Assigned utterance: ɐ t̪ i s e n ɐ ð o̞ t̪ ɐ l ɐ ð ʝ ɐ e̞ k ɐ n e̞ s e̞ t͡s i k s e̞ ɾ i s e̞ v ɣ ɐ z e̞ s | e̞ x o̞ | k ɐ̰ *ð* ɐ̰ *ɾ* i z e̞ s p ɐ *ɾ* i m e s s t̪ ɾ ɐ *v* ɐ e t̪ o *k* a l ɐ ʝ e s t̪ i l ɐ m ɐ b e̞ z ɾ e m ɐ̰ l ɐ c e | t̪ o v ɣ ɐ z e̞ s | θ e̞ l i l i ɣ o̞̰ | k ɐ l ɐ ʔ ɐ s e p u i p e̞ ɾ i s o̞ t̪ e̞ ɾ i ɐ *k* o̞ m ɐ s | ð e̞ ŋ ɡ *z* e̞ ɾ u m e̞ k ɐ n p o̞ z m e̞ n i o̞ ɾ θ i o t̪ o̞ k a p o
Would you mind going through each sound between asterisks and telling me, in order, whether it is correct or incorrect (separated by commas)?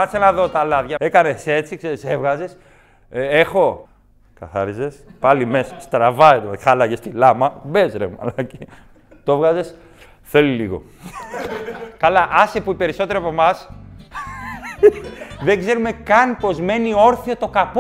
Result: incorrect, correct, incorrect, correct, incorrect, incorrect, correct